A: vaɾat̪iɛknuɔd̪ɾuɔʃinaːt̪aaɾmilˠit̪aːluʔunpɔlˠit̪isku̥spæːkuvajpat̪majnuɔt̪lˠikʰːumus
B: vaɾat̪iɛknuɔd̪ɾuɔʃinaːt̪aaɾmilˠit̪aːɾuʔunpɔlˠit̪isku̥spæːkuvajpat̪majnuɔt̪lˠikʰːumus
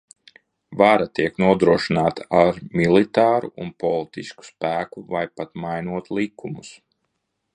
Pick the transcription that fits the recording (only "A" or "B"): B